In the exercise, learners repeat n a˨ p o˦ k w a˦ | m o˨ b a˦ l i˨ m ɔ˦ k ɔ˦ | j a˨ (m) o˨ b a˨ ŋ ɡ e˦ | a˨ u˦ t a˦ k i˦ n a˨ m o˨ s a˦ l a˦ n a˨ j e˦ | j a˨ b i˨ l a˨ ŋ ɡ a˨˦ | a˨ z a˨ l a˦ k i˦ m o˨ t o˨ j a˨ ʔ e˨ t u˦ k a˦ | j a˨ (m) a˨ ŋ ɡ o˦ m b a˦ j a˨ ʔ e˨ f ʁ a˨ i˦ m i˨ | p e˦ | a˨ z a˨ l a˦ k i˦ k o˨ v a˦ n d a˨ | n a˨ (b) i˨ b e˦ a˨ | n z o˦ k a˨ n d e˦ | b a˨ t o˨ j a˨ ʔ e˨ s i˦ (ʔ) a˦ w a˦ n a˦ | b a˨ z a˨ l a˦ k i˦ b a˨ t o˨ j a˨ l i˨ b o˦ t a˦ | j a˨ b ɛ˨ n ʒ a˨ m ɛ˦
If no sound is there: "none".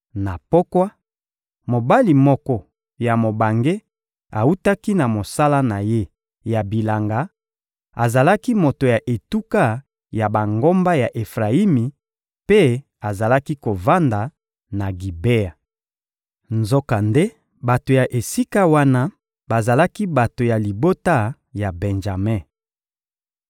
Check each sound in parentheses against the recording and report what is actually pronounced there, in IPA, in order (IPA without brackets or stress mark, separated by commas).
m, b, ɡ, k